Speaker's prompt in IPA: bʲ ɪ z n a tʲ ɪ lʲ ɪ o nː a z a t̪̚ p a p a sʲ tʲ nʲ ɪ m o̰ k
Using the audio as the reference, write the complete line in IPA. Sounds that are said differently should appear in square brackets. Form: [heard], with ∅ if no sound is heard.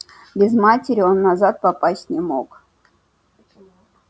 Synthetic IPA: bʲ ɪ z [m] a tʲ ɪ [ɾʲ] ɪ o nː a z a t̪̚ p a p a sʲ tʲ nʲ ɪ m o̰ k

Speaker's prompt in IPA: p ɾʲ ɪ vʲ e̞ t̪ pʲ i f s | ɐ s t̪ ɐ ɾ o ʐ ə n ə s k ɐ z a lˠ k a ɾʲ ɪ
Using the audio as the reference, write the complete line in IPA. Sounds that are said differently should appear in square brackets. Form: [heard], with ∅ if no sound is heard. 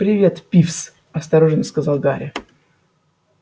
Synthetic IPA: p ɾʲ ɪ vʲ e̞ t̪ pʲ i f s | ɐ s t̪ ɐ ɾ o ʐ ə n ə s k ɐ z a lˠ [ɡ] a ɾʲ ɪ

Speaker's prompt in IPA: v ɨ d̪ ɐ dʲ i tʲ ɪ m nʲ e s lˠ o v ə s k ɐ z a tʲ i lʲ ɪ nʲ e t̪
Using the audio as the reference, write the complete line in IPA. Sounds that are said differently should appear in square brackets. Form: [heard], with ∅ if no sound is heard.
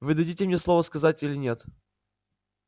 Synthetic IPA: v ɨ d̪ ɐ dʲ i tʲ ɪ m nʲ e s lˠ o v ə s k ɐ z a tʲ i lʲ ɪ nʲ e t̪

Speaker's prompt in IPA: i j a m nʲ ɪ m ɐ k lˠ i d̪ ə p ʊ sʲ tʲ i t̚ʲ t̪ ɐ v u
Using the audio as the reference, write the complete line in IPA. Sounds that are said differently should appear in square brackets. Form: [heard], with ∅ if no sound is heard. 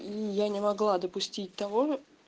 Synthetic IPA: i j a [∅] nʲ ɪ m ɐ [ɡ] lˠ [a] d̪ ə p ʊ sʲ tʲ i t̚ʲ t̪ ɐ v [o]

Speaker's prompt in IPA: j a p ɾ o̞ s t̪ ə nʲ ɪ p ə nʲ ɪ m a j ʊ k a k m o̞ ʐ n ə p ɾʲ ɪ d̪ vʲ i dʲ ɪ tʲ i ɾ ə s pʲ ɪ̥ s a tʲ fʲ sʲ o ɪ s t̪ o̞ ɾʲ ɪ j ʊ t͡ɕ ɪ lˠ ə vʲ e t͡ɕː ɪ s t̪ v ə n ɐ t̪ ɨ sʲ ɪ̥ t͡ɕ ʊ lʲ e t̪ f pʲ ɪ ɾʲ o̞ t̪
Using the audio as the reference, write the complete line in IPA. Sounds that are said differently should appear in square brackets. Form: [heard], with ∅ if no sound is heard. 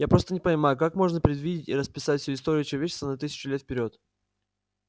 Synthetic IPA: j a p ɾ o̞ s t̪ ə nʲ ɪ p ə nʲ ɪ m a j ʊ k a k m o̞ ʐ n ə p ɾʲ ɪ d̪ vʲ i dʲ ɪ tʲ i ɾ ə s pʲ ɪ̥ s a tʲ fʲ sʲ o ɪ s t̪ o̞ ɾʲ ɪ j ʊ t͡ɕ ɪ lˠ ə vʲ e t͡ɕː ɪ s t̪ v ə n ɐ t̪ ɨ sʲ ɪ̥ t͡ɕ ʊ lʲ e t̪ f pʲ ɪ ɾʲ o̞ t̪

